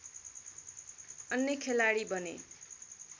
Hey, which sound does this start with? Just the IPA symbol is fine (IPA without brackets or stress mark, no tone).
ʌ